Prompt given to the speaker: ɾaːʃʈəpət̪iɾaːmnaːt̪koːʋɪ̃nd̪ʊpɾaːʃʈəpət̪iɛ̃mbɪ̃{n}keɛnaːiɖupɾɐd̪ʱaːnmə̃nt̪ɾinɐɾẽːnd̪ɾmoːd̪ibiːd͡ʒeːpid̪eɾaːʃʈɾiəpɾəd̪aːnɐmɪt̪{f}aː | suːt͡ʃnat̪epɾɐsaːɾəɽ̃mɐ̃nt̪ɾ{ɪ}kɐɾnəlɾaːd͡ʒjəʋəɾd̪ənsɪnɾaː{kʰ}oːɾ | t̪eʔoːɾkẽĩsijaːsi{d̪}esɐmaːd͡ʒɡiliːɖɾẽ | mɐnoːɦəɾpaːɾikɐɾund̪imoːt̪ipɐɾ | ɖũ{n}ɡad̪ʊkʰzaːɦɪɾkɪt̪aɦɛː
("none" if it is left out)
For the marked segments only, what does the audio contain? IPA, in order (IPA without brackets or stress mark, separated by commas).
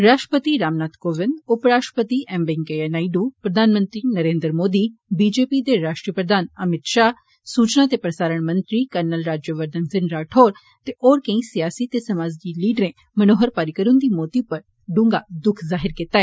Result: ŋ, ʃ, i, ʈʰ, t̪, ŋ